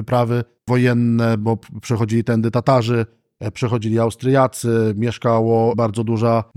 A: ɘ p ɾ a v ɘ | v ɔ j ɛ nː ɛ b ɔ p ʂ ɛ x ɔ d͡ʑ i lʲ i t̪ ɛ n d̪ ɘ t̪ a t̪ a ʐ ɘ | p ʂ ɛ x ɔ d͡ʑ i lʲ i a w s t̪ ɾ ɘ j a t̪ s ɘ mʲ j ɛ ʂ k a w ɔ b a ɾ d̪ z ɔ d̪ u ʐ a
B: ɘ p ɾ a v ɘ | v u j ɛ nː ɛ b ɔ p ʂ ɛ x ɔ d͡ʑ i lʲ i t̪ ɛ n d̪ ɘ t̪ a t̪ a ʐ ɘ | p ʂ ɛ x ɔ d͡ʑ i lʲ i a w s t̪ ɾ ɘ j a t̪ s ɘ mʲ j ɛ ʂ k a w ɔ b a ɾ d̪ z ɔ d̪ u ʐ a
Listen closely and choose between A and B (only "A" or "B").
A